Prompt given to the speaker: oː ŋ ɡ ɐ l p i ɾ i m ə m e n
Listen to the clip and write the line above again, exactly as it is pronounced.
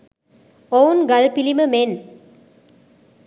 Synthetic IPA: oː n ɡ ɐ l p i l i m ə m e n

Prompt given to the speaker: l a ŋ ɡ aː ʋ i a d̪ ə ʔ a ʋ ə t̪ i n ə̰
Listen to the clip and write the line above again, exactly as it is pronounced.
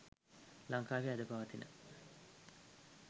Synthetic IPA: l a ŋ k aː ʋ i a d̪ ə p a ʋ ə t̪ i n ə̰

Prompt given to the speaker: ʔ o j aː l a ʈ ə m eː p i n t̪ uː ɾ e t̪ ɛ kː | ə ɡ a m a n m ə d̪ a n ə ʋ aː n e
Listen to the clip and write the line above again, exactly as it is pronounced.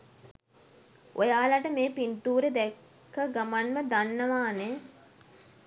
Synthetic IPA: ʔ o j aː l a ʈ ə m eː p i n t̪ uː ɾ e d̪ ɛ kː | ə ɡ a m a n m ə d̪ a nː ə ʋ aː n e

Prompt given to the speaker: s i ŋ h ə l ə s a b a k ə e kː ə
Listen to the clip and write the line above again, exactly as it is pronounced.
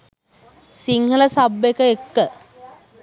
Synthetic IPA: s i ŋ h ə l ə s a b e k ə e kː ə

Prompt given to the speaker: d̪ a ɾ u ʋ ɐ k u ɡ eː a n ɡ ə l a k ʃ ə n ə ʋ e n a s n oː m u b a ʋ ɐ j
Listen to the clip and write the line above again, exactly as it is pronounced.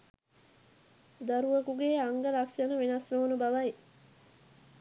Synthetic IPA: d̪ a ɾ u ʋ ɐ k u ɡ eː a ŋ ɡ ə l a k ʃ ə n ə ʋ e n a s n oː n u b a ʋ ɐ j

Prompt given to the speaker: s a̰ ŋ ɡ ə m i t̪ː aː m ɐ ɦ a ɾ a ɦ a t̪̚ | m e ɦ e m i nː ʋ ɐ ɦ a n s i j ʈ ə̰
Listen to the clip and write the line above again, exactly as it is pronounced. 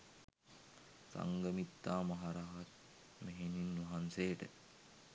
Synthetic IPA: s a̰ ŋ ɡ ə m i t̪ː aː m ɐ ɦ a ɾ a ɦ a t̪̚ | m e ɦ e n i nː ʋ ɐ ɦ a n s e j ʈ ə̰

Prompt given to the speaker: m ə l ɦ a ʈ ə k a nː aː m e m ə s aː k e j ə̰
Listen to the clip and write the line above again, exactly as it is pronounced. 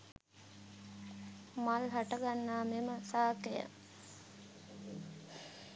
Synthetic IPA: m a l ɦ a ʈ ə ɡ a nː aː m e m ə s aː k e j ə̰

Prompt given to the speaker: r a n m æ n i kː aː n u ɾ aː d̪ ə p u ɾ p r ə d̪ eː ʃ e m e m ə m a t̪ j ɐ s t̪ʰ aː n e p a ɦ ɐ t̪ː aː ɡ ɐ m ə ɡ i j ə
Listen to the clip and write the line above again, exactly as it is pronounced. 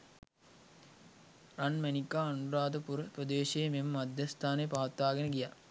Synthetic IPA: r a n m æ n i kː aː n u ɾ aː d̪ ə p u ɾ p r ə d̪ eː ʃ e m e m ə m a d̪ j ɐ s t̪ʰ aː n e p a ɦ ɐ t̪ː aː ɡ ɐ n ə ɡ i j a

